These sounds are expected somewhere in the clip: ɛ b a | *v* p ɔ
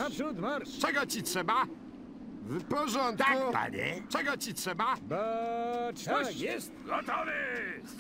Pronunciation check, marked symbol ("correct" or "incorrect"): correct